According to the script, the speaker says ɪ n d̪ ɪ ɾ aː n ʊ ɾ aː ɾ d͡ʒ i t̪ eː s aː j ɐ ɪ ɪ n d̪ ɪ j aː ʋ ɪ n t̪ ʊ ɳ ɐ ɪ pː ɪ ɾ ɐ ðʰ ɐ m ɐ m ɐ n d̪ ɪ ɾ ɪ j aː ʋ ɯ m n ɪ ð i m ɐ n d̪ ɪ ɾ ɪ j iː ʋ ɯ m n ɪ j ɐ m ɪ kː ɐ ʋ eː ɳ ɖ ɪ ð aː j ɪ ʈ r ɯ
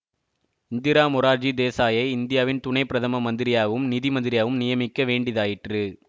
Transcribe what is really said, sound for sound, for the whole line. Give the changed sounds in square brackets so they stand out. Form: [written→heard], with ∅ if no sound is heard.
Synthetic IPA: ɪ n d̪ ɪ ɾ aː [n→m] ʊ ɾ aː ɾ d͡ʒ i [t̪→d̪] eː s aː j ɐ ɪ ɪ n d̪ ɪ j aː ʋ ɪ n t̪ ʊ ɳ ɐ ɪ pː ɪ ɾ ɐ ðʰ ɐ m ɐ m ɐ n d̪ ɪ ɾ ɪ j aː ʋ ɯ m n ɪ ð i m ɐ n d̪ ɪ ɾ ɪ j [iː→aː] ʋ ɯ m n ɪ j ɐ m ɪ kː ɐ ʋ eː ɳ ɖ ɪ ð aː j ɪ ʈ r ɯ